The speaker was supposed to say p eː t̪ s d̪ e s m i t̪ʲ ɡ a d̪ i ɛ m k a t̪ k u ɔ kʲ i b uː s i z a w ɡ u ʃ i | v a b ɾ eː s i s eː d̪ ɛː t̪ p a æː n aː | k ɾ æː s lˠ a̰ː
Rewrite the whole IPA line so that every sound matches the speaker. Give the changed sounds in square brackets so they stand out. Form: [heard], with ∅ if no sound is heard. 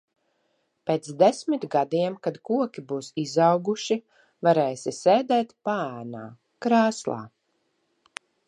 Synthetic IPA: p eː t̪ s d̪ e s m i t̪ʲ ɡ a d̪ i ɛ m k a [d̪] k u ɔ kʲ i b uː s i z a w ɡ u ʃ i | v a [∅] ɾ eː s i s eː d̪ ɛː t̪ p a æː n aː | k ɾ [aː] s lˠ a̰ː